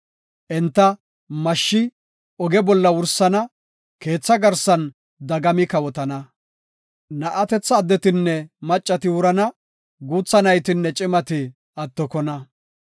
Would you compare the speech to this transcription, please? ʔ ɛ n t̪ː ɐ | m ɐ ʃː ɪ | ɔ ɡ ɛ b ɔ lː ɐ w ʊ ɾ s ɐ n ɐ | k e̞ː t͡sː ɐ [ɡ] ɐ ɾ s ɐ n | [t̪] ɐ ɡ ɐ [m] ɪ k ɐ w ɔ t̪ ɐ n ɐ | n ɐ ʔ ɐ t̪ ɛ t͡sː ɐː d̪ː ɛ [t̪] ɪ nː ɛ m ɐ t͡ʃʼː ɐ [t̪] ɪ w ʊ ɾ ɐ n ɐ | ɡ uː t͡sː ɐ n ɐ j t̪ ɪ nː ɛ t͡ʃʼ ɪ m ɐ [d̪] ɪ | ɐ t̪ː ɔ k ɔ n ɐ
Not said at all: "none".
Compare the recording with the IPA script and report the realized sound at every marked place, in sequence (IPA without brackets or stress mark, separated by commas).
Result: ɡ, d̪, m, t̪, t̪, t̪